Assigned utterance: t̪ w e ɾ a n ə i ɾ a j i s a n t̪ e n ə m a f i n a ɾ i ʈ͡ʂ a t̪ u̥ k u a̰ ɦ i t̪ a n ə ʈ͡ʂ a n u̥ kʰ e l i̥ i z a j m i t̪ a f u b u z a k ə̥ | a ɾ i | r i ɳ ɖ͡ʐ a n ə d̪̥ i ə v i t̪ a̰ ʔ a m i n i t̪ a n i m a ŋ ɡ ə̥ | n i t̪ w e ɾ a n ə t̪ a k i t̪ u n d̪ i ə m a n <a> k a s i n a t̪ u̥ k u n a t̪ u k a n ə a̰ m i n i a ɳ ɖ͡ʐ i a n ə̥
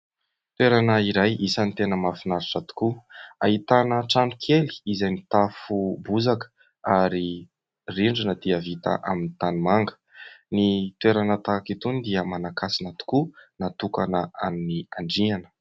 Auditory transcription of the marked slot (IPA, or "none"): a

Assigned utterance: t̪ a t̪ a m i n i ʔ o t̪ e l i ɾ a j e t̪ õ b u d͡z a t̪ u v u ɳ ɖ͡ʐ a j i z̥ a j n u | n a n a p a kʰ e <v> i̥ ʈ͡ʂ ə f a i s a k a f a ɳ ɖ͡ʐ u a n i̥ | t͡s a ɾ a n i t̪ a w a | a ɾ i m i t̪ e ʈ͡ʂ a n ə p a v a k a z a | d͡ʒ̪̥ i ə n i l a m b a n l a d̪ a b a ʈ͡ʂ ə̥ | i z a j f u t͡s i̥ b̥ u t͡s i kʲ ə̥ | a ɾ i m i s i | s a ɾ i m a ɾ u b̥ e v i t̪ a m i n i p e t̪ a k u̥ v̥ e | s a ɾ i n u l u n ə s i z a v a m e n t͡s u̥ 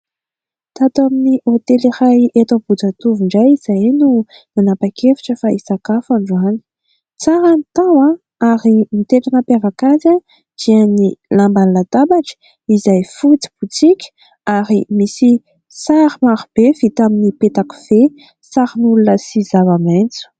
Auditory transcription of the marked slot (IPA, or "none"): f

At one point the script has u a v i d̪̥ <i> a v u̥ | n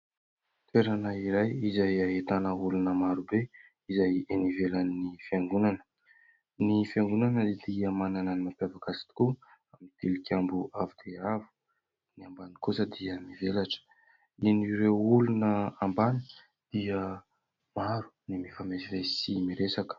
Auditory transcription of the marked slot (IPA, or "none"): e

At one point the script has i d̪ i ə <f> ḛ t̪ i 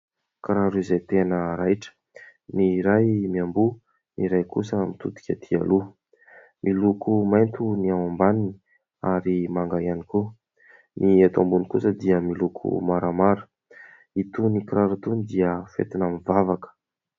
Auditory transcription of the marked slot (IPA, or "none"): f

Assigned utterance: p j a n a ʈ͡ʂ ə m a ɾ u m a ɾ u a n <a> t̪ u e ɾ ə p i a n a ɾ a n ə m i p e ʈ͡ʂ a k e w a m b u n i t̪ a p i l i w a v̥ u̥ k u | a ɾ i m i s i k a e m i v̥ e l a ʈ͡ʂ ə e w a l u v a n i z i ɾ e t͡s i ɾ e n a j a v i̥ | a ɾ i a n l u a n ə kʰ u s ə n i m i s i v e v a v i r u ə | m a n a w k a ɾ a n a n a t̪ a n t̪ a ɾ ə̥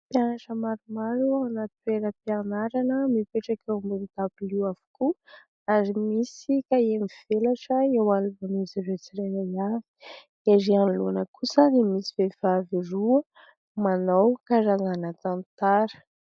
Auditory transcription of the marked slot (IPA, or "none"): a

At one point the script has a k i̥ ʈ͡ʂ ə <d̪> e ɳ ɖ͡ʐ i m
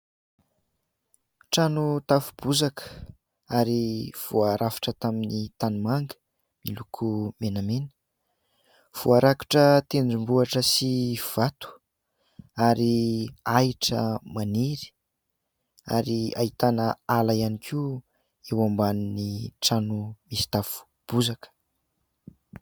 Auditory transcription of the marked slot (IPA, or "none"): t̪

